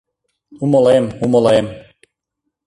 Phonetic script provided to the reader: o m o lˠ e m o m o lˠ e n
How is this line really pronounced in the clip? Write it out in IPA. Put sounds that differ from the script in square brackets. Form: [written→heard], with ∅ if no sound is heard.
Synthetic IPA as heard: [o→u] m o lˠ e m [o→u] m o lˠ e [n→m]

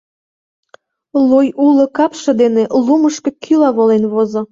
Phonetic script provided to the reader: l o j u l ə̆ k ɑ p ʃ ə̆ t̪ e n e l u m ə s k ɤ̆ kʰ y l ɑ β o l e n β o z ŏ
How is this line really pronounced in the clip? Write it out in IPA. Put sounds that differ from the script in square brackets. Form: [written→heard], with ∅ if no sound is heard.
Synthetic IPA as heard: l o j u l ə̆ k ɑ p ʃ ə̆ [t̪→d̪] e n e l u m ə [s→ʃ] k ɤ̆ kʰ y l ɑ β o l e n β o z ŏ

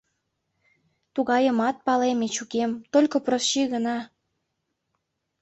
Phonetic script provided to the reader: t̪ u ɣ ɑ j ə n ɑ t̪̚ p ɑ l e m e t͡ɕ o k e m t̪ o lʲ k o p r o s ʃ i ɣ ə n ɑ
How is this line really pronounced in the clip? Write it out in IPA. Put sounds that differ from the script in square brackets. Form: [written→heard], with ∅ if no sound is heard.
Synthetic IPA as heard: t̪ u ɣ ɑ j ə [n→m] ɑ t̪̚ p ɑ l e m e t͡ɕ [o→u] k e m t̪ o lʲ k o p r o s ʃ i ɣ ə n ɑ

